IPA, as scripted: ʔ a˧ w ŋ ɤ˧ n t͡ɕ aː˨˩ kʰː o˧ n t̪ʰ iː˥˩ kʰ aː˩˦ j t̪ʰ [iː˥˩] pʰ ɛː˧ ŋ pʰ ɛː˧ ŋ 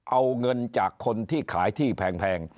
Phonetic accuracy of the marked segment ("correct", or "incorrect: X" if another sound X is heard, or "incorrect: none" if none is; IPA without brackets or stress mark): correct